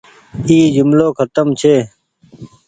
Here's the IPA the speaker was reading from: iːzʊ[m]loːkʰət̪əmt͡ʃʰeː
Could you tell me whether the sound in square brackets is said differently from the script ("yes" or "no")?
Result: no